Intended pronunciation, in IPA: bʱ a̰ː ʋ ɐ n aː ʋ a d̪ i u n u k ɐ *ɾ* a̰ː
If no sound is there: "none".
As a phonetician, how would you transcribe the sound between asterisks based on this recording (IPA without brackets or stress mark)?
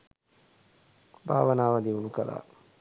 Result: l